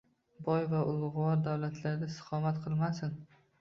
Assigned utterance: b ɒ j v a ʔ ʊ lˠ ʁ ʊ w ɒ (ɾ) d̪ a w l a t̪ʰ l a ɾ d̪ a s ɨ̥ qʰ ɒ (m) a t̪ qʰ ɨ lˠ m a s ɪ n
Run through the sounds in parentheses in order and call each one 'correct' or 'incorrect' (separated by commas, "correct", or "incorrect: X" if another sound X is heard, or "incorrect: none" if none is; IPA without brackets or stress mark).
correct, correct